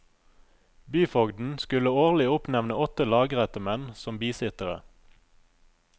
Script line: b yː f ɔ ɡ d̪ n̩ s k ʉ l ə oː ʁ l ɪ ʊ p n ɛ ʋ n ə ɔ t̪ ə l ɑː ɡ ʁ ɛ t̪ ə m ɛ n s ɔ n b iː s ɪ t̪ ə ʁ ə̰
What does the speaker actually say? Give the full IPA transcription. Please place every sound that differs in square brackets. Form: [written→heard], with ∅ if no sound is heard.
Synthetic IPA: b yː f ɔ ɡ d̪ n̩ s k ʉ l ə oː ʁ l ɪ ʊ p n ɛ ʋ n ə ɔ t̪ ə l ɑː ɡ ʁ ɛ t̪ ə m ɛ n s ɔ [n→m] b iː s ɪ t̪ ə ʁ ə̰